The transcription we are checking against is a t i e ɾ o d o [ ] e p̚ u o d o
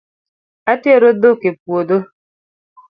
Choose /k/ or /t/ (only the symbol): k